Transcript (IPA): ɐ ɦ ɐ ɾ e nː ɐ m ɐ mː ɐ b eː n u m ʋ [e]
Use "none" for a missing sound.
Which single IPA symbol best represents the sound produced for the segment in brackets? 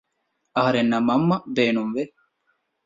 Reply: e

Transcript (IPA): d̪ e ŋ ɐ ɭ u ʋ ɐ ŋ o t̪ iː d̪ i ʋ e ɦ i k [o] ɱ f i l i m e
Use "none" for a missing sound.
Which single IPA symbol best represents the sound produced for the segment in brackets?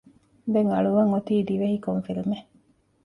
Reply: o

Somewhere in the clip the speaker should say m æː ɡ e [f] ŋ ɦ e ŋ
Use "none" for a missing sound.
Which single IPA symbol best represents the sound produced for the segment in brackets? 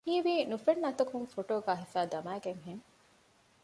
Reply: none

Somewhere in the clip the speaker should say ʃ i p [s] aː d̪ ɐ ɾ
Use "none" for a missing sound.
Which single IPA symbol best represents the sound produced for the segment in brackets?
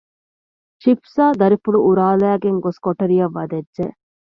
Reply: s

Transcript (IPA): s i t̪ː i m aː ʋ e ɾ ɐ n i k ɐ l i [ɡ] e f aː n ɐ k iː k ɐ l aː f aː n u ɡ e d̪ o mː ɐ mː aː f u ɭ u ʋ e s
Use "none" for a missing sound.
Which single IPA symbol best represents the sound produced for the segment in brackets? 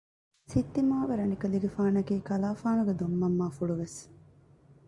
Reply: ɡ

